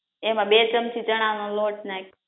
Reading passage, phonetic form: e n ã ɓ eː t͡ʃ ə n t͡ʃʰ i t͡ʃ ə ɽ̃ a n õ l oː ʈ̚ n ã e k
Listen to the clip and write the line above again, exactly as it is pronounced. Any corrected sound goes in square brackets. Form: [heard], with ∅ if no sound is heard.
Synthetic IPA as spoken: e [m] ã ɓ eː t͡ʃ ə [m] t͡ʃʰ i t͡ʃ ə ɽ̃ a n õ l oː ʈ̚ n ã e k